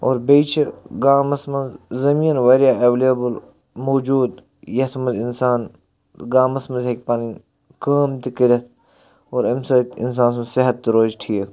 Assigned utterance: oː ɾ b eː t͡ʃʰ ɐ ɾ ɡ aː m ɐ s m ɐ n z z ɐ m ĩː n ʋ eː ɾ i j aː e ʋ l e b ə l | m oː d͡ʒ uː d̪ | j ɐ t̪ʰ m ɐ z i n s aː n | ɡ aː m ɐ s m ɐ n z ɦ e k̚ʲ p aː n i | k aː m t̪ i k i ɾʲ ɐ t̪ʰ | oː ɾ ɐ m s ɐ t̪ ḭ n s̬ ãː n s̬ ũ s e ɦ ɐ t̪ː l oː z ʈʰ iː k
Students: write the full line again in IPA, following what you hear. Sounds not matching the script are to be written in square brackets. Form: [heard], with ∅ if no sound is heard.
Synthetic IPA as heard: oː ɾ b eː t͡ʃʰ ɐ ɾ ɡ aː m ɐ s m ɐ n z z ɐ m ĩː n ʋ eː ɾ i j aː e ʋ l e b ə l | m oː d͡ʒ uː d̪ | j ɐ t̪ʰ m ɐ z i n s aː n | ɡ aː m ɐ s m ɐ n z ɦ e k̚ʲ p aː n i | k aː m t̪ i k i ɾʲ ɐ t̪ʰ | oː ɾ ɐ m s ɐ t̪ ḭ n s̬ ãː n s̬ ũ s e ɦ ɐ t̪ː [ɾ] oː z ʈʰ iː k